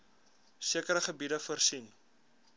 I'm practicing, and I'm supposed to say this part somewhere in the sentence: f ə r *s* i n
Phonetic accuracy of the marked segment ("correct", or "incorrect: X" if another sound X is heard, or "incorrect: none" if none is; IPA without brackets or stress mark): correct